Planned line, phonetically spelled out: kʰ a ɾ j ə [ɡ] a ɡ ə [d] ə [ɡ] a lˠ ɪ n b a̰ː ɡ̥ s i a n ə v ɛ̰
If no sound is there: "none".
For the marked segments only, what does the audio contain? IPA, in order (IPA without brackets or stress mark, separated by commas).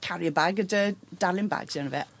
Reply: b, d, d